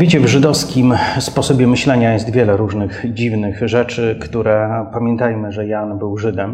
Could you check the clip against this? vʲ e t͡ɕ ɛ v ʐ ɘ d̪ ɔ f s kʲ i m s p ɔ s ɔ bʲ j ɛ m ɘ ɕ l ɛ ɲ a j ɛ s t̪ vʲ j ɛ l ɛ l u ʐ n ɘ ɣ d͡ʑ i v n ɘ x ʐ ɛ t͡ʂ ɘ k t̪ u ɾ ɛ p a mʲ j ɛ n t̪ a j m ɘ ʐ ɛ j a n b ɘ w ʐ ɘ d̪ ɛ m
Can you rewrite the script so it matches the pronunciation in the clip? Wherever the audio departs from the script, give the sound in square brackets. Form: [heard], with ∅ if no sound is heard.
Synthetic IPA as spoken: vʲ e t͡ɕ ɛ v ʐ ɘ d̪ ɔ f s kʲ i m s p ɔ s ɔ bʲ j ɛ m ɘ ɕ l ɛ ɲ a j ɛ s t̪ vʲ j ɛ l ɛ [ɾ] u ʐ n ɘ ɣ d͡ʑ i v n ɘ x ʐ ɛ t͡ʂ ɘ k t̪ u ɾ ɛ p a mʲ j ɛ n t̪ a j m ɘ ʐ ɛ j a n b ɘ w ʐ ɘ d̪ ɛ m